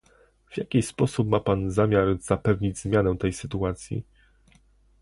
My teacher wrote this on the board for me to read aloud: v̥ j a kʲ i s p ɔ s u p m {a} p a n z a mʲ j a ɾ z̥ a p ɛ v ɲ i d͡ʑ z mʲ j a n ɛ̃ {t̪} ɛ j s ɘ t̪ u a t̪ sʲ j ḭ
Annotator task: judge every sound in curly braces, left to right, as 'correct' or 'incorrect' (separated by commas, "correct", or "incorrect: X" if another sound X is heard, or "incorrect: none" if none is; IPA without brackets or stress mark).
correct, correct